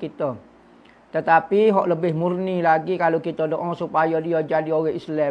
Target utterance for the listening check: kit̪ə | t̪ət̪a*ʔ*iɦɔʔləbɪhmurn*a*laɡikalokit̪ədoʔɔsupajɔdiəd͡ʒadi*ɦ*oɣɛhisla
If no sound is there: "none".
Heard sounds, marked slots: p, i, none

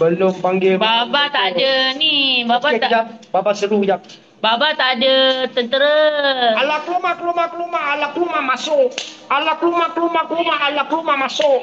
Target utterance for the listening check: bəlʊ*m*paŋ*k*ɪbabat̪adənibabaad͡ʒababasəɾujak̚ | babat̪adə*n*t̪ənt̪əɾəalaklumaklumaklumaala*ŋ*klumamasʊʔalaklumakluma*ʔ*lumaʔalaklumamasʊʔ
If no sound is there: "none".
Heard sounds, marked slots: m, ɡ, none, none, k

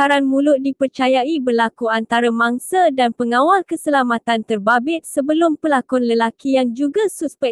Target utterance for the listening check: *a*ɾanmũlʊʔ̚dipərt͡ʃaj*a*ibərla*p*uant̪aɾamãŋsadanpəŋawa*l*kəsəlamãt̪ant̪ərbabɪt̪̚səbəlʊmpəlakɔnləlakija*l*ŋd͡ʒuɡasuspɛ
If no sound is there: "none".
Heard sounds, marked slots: a, a, k, l, none

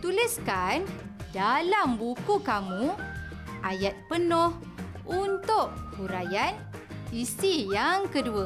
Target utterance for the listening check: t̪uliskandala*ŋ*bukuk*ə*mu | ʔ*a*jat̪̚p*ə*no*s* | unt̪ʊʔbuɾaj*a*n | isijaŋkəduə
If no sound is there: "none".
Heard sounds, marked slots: m, a, a, ə, h, a

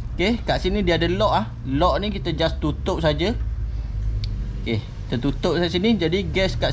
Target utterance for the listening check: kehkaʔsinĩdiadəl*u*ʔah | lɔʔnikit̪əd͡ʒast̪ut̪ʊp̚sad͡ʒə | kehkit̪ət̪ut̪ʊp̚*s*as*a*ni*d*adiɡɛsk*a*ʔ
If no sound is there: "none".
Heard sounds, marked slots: ɔ, s, i, d͡ʒ, a

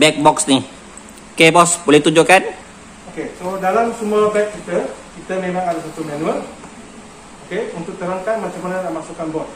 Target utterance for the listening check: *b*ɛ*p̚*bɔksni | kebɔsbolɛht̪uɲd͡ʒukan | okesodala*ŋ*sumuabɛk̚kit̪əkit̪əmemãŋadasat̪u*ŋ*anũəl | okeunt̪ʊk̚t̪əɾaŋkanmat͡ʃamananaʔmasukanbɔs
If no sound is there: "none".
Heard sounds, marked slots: b, k̚, m, m

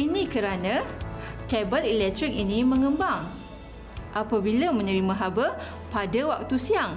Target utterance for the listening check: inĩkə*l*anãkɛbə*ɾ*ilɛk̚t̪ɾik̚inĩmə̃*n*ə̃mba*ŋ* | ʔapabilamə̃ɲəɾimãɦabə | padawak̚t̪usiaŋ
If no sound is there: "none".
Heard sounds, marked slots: ɾ, l, ŋ, ŋ

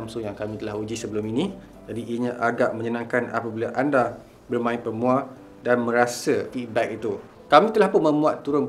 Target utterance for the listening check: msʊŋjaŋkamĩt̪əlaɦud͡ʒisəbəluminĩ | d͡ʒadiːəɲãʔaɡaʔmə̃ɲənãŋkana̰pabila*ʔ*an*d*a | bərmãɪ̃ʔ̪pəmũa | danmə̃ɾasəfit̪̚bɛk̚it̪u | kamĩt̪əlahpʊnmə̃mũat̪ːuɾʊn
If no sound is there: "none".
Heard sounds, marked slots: ʔ, d

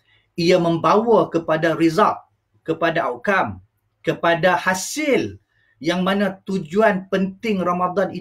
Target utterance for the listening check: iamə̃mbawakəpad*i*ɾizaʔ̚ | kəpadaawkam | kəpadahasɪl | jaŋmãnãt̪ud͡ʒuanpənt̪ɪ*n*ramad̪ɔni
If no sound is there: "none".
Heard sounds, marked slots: a, ŋ

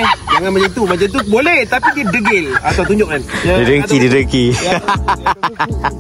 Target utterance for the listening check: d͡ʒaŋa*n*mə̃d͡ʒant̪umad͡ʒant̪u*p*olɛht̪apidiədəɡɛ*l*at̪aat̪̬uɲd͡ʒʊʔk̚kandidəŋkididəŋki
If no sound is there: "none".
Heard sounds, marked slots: n, b, l

